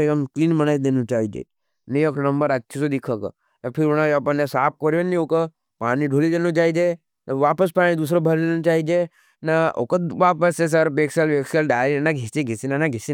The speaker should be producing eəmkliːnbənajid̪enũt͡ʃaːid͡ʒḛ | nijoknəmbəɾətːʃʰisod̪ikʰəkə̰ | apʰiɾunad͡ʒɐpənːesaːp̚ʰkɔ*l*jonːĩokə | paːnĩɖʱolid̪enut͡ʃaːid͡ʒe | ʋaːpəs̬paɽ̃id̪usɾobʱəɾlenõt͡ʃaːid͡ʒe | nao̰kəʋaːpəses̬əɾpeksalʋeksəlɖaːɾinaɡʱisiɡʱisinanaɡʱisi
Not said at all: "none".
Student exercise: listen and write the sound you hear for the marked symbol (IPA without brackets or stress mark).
ɾ